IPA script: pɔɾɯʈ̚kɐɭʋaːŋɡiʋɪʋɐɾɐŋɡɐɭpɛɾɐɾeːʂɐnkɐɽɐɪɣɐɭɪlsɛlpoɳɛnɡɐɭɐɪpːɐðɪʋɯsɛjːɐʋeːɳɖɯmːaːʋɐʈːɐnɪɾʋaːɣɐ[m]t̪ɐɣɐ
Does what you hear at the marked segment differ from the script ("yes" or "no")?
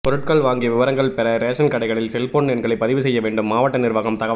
no